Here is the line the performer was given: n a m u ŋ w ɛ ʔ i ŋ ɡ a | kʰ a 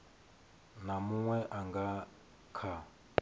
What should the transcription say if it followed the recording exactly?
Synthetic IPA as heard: n a m u ŋ w ɛ ʔ a ŋ ɡ a | kʰ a